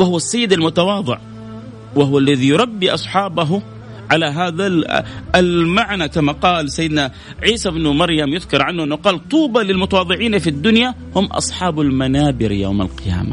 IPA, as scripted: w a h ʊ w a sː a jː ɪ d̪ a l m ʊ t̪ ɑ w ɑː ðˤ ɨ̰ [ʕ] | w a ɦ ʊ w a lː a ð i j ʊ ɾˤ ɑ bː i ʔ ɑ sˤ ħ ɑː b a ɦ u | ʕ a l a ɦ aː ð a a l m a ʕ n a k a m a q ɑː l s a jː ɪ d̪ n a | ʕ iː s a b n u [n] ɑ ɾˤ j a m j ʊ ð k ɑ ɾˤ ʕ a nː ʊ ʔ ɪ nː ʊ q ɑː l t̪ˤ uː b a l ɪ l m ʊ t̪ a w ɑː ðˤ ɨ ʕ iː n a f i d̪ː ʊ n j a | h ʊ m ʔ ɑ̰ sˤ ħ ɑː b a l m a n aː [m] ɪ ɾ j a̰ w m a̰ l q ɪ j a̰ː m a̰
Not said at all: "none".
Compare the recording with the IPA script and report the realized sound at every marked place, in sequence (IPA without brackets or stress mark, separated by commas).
ʕ, m, b